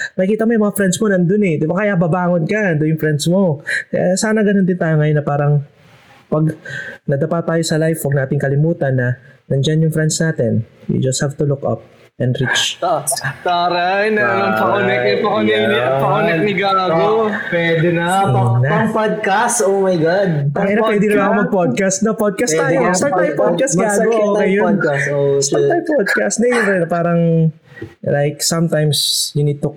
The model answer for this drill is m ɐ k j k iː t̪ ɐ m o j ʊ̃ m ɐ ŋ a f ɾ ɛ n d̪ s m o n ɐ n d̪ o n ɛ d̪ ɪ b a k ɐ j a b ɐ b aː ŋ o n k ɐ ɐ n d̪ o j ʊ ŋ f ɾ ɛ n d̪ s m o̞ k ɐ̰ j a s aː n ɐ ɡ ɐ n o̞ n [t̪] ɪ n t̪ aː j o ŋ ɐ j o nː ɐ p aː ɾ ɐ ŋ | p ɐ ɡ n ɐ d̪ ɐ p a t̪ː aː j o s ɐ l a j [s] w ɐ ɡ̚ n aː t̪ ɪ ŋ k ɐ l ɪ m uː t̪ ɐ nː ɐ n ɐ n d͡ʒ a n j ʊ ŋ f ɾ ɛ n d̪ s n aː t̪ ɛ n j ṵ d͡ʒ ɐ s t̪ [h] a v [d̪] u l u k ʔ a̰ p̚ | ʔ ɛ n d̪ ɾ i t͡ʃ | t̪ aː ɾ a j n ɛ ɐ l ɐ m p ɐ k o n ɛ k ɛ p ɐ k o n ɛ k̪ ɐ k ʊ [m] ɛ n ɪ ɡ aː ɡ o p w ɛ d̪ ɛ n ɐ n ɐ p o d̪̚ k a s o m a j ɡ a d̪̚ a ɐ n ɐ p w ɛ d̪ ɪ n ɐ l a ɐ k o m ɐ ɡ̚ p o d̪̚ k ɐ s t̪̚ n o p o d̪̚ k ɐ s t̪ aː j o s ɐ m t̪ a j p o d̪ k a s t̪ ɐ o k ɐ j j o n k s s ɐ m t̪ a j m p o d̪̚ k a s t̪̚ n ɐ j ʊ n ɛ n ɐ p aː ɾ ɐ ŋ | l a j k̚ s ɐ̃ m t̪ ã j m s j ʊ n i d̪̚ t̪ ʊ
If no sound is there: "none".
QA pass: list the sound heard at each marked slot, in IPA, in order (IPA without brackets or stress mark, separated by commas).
d̪, f, h, t̪, n